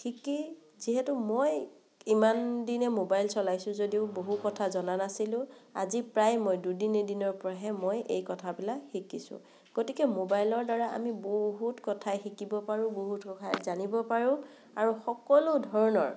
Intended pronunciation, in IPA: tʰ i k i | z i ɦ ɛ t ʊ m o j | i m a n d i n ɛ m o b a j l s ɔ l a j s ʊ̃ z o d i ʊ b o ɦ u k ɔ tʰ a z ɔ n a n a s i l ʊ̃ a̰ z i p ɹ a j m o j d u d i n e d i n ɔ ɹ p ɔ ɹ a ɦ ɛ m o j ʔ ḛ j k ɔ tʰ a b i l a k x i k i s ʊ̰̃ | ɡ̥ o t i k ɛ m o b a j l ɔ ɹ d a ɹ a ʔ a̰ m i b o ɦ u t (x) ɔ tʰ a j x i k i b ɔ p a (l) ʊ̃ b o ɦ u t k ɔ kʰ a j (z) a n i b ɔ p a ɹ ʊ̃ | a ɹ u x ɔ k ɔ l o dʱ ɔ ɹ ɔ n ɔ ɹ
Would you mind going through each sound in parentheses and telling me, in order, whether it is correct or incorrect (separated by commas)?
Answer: incorrect, incorrect, correct